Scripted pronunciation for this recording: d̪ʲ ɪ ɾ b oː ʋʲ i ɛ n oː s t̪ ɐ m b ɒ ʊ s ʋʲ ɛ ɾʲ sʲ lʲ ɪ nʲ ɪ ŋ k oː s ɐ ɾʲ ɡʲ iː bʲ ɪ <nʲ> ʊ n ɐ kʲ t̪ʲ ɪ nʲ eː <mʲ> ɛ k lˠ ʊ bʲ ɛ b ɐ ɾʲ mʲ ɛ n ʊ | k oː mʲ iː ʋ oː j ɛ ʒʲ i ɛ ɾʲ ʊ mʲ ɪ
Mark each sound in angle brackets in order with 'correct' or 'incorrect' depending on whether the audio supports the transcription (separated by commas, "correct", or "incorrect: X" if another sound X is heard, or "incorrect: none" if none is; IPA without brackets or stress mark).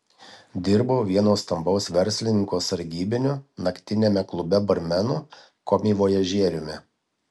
correct, correct